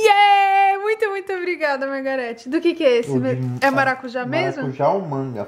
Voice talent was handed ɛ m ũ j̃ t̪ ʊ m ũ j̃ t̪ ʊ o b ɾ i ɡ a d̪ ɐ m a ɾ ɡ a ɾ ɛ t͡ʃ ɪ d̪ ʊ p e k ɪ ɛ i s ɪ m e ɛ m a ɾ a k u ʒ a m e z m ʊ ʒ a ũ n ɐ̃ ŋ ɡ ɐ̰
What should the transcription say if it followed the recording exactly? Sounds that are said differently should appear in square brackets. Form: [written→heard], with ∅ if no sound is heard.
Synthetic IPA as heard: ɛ m ũ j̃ t̪ ʊ m ũ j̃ t̪ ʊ o b ɾ i ɡ a d̪ ɐ m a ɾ ɡ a ɾ ɛ t͡ʃ ɪ d̪ ʊ [p→k] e k ɪ ɛ [i→e] s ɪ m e ɛ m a ɾ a k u ʒ a m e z m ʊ ʒ a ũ [n→m] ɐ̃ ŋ ɡ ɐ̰